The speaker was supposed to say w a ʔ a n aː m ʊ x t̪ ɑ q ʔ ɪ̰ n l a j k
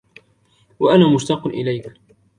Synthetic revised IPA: w a ʔ a n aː m ʊ ʃ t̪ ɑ q ʔ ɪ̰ l a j k